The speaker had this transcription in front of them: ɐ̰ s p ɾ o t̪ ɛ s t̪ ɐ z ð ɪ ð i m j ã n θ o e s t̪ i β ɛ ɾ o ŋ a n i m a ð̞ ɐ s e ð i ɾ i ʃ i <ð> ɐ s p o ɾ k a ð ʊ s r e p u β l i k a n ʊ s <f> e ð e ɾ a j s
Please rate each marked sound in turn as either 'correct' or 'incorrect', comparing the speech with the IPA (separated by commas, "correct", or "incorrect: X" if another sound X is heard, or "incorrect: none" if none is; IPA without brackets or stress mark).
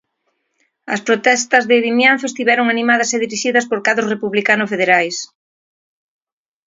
correct, correct